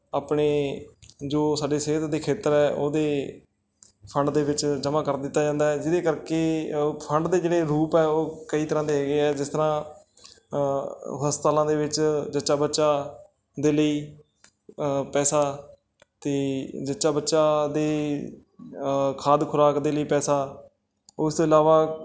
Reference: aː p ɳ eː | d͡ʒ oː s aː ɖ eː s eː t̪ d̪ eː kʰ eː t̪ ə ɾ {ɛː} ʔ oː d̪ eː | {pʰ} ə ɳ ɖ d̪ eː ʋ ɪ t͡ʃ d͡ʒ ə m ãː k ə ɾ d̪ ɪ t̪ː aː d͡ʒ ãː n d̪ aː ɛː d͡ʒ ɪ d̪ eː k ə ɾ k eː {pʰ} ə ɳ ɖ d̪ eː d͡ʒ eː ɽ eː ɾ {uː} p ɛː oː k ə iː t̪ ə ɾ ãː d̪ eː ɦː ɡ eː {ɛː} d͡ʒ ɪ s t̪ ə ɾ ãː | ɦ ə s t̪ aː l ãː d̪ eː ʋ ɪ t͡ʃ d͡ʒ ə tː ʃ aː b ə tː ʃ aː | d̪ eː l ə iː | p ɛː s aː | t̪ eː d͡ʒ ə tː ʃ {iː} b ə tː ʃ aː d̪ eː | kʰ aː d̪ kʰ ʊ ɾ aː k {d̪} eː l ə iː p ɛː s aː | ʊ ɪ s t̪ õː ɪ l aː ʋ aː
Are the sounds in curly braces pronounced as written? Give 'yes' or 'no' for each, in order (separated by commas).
yes, yes, yes, yes, yes, no, yes